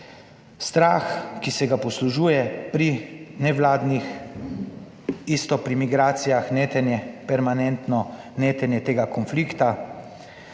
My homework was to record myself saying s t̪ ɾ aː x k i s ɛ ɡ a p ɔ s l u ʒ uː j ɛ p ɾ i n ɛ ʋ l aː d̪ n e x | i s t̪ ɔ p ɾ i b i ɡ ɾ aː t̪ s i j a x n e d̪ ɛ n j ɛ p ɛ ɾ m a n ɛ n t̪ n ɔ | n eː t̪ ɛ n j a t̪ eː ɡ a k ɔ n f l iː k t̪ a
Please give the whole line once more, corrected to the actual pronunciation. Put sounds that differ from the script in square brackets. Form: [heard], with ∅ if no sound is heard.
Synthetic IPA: s t̪ ɾ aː x k i s ɛ ɡ a p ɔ s l u ʒ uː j ɛ p ɾ i n ɛ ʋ l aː d̪ n [i] x | i s t̪ ɔ p ɾ i [m] i ɡ ɾ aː t̪ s i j a x n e [t̪] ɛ n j ɛ p ɛ ɾ m a n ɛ n t̪ n ɔ | n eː t̪ ɛ n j [ɛ] t̪ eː ɡ a k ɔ n f l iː k t̪ a

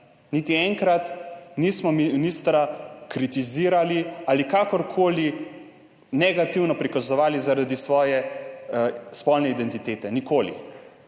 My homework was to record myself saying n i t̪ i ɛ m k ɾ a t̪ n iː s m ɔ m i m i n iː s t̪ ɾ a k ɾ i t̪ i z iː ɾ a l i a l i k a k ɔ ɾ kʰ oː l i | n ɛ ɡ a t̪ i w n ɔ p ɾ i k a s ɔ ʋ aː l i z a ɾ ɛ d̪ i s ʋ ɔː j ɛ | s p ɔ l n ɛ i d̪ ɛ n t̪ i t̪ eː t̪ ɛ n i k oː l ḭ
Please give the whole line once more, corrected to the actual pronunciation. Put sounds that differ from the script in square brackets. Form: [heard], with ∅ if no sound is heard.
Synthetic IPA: n i t̪ i ɛ [ŋ] k ɾ a t̪ n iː s m ɔ m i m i n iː s t̪ ɾ a k ɾ i t̪ i z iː ɾ a l i a l i k a k ɔ ɾ kʰ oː l i | n ɛ ɡ a t̪ i w n ɔ p ɾ i k a [z] ɔ ʋ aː l i z a ɾ [a] d̪ i s ʋ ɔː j ɛ | s p ɔ l n ɛ i d̪ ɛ n t̪ i t̪ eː t̪ ɛ n i k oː l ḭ

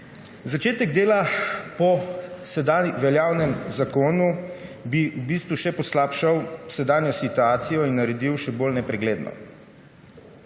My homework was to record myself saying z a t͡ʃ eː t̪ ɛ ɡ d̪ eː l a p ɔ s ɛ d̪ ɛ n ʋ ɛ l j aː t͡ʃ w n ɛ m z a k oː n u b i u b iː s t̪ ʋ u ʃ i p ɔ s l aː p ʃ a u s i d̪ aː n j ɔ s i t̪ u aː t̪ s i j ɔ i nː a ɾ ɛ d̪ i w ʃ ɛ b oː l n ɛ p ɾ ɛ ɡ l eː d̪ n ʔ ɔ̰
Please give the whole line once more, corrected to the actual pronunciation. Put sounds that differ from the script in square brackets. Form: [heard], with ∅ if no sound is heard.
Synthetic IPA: z a t͡ʃ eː t̪ ɛ ɡ d̪ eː l a p ɔ s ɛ d̪ [a] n ʋ ɛ l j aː [∅] w n ɛ m z a k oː n u b i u b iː s t̪ ʋ u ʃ [ɛ] p ɔ s l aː p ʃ a [w] s [ɛ] d̪ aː n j ɔ s i t̪ u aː t̪ s i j ɔ i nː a ɾ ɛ d̪ i w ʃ ɛ b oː l n ɛ p ɾ ɛ ɡ l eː d̪ n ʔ ɔ̰

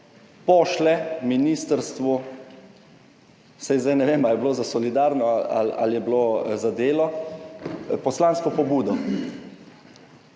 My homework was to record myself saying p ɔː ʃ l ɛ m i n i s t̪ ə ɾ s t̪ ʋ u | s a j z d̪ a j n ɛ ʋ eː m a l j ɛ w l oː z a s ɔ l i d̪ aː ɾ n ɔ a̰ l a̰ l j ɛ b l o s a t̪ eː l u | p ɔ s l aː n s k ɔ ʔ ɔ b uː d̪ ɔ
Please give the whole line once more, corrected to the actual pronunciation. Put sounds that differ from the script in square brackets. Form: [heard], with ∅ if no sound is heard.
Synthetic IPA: p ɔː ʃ l ɛ m i n i s t̪ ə ɾ s t̪ ʋ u | s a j z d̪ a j n ɛ ʋ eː m a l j ɛ [b] l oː z a s ɔ l i d̪ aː ɾ n ɔ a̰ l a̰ l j ɛ b l o [z] a [d̪] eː l [ɔ] | p ɔ s l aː n s k ɔ [p] ɔ b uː d̪ ɔ

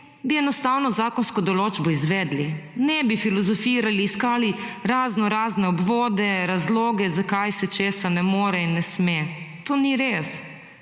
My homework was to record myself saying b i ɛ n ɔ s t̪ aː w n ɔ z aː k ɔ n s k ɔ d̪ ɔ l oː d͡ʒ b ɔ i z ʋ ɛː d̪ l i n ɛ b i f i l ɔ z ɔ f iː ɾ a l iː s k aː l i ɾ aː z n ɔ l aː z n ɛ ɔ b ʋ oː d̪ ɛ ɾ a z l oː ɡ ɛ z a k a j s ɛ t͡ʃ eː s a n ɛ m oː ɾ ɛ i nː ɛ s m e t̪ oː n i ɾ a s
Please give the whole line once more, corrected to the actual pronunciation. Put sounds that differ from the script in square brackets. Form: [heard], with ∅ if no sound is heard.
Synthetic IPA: b i ɛ n ɔ s t̪ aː w n ɔ z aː k ɔ n s k ɔ d̪ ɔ l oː d͡ʒ b ɔ i z ʋ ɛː d̪ l i n ɛ b i f i l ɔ z ɔ f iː ɾ a l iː s k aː l i ɾ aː z n ɔ [ɾ] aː z n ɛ ɔ b ʋ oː d̪ ɛ ɾ a z l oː ɡ ɛ z a k a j s ɛ t͡ʃ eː s a n ɛ m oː ɾ ɛ i nː ɛ s m e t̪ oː n i ɾ [e] s

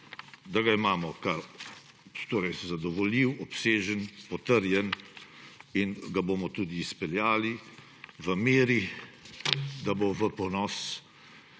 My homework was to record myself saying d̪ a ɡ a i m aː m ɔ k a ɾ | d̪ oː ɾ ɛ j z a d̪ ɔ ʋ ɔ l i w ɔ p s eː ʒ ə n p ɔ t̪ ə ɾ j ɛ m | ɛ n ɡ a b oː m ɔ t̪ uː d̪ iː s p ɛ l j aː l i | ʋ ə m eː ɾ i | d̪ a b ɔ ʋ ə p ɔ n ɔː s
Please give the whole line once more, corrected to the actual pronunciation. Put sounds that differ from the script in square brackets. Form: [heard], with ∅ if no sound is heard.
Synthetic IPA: d̪ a ɡ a i m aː m ɔ k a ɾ | [t̪] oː ɾ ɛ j z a d̪ ɔ ʋ ɔ l i w ɔ p s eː ʒ ə n p ɔ t̪ ə ɾ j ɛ [n] | [i] n ɡ a b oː m ɔ t̪ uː d̪ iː s p ɛ l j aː l i | ʋ ə m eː ɾ i | d̪ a b [o] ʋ ə p ɔ n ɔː s

